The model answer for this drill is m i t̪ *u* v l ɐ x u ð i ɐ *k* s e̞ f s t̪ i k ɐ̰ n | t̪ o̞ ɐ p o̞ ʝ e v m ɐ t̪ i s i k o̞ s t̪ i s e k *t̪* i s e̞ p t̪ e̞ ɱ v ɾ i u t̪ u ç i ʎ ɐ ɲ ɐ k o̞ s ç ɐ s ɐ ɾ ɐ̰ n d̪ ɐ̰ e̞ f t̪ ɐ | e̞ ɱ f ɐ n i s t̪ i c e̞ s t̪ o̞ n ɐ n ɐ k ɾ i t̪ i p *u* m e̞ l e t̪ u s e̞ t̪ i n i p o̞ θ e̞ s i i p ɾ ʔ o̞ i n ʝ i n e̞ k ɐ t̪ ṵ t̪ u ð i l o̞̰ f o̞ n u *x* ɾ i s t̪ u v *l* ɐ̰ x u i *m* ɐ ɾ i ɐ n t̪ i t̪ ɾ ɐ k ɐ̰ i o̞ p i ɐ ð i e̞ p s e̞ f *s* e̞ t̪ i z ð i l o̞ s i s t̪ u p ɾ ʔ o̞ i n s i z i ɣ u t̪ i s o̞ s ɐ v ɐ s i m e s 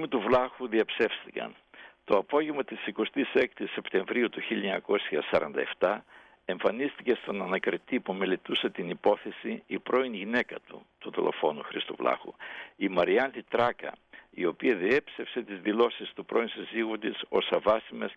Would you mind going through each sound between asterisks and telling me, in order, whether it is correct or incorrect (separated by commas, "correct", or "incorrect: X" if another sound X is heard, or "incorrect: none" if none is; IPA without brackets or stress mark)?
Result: correct, incorrect: p, correct, correct, correct, correct, correct, correct